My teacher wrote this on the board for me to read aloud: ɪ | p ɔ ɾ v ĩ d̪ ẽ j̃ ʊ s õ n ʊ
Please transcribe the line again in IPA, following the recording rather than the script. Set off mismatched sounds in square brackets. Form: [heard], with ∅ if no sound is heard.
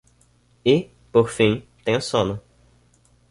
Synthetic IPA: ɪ | p [o] ɾ [f] ĩ [t̪] ẽ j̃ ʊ s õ n ʊ

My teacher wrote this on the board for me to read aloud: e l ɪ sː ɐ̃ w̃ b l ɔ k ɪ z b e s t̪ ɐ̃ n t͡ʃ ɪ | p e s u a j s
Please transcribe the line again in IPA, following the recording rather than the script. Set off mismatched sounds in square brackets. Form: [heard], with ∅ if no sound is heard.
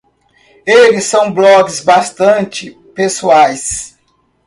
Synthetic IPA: e l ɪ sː ɐ̃ w̃ b l ɔ [ɡ] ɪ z b [a] s t̪ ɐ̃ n t͡ʃ ɪ | p e s u a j s

